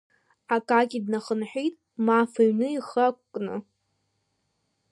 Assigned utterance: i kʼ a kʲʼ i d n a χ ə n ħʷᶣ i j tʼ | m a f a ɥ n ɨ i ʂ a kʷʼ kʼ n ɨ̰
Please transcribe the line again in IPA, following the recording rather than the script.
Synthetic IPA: a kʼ a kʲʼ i d n a χ ə n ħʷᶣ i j tʼ | m a f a ɥ n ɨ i χ a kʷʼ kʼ n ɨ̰